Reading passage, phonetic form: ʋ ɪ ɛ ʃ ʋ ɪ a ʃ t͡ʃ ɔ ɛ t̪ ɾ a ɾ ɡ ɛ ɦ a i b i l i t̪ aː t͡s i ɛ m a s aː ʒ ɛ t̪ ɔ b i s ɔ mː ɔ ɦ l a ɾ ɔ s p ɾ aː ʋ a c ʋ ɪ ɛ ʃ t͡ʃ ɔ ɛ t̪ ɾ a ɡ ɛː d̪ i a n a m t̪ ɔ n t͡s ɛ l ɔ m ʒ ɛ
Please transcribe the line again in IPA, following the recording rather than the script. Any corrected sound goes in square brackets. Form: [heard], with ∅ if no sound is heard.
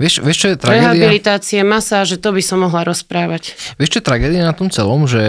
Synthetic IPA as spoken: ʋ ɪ ɛ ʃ ʋ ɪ [ɛ] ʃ t͡ʃ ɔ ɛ t̪ ɾ a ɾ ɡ ɛ ɦ a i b i l i t̪ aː t͡s i ɛ m a s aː ʒ ɛ t̪ ɔ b i s ɔ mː ɔ ɦ l a ɾ ɔ s p ɾ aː ʋ a c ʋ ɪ ɛ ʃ t͡ʃ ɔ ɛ t̪ ɾ a ɡ ɛː d̪ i a n a [∅] t̪ ɔ [m] t͡s ɛ l ɔ m ʒ ɛ